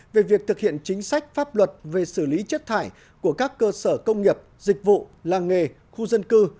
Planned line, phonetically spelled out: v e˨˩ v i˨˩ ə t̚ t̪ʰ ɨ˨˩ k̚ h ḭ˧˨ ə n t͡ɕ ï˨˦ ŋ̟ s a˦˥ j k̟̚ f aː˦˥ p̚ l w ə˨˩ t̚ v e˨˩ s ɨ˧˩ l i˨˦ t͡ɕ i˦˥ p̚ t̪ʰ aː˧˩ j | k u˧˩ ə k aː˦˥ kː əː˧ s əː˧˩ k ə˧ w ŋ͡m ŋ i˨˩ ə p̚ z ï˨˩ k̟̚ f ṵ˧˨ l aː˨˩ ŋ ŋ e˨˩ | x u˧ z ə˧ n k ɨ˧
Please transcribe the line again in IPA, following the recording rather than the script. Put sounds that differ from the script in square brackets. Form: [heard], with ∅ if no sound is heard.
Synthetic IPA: v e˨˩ v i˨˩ ə [k̚] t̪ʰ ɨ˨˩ k̚ h ḭ˧˨ ə n t͡ɕ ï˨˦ ŋ̟ s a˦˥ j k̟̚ f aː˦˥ p̚ l w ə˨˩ t̚ v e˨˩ s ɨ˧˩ l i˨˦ t͡ɕ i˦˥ [t̚] t̪ʰ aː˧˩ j | k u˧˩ ə k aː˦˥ kː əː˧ s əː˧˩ k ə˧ w ŋ͡m ŋ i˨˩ ə p̚ z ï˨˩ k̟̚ [v] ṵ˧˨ l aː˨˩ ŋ ŋ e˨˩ | x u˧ z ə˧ n k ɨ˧